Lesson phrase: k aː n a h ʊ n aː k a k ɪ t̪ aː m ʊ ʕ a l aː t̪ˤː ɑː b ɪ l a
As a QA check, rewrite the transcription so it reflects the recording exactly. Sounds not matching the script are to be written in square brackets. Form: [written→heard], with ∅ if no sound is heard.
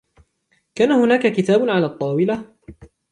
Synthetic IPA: k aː n a h ʊ n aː k a k ɪ t̪ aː [m→b] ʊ ʕ a l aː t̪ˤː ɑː [b→w] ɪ l a